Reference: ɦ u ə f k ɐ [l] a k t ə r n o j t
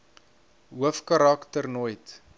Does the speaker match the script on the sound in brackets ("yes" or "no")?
no